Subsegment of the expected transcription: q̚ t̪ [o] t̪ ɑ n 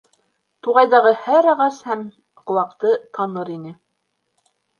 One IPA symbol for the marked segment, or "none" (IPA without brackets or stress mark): ɤ